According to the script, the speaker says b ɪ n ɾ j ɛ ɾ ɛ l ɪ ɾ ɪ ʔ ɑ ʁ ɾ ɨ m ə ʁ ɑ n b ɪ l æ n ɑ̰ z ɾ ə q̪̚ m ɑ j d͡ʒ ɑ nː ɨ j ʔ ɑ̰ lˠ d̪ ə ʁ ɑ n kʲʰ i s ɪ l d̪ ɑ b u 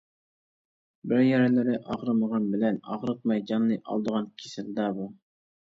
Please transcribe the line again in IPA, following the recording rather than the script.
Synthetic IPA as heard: b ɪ ɾ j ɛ ɾ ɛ l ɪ ɾ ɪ ʔ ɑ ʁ ɾ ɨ m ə ʁ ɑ n b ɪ l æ n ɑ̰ ʁ ɾ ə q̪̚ m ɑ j d͡ʒ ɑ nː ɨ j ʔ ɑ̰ lˠ d̪ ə ʁ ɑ n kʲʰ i s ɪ l d̪ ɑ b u